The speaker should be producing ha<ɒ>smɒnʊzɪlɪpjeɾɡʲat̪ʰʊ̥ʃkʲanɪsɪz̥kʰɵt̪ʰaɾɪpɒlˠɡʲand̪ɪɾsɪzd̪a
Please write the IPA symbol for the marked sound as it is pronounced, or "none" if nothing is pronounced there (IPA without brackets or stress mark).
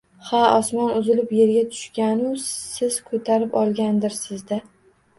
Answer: ɒ